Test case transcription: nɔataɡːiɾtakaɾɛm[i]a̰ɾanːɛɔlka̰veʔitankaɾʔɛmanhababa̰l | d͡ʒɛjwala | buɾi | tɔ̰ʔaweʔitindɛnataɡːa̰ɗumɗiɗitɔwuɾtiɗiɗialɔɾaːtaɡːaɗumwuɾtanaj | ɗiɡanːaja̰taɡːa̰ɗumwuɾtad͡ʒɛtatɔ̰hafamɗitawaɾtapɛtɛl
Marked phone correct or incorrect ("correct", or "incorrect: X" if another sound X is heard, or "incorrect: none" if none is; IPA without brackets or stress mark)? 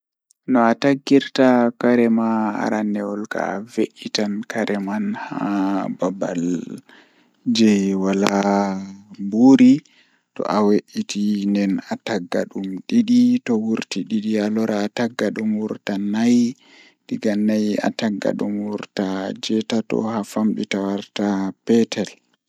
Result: incorrect: a